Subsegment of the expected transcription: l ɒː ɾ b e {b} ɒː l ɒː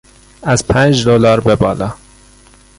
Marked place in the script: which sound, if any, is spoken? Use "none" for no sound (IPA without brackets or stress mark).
b